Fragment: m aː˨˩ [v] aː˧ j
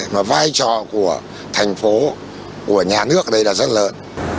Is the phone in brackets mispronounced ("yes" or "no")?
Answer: no